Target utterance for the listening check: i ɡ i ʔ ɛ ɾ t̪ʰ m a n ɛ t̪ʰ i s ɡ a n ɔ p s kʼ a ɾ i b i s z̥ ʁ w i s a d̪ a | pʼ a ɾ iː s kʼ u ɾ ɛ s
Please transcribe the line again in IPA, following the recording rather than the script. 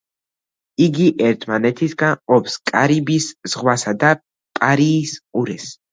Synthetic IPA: i ɡ i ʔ ɛ ɾ t̪ʰ m a n ɛ t̪ʰ i s ɡ a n ɔ p s kʼ a ɾ i b i s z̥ ʁ w a s a d̪ a | pʼ a ɾ iː s qʼ u ɾ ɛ s